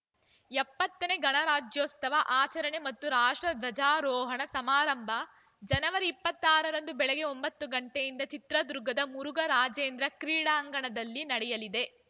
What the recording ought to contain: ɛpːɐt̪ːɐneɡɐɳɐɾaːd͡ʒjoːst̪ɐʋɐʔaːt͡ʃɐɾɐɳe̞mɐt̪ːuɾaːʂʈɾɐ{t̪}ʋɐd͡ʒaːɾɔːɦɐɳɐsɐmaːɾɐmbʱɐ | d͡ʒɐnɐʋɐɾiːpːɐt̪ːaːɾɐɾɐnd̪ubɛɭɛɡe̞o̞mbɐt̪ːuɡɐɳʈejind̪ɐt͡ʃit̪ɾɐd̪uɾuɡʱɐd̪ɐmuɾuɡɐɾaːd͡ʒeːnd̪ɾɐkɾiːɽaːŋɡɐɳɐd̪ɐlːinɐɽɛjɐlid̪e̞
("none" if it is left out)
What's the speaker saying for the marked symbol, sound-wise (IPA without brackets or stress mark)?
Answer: d̪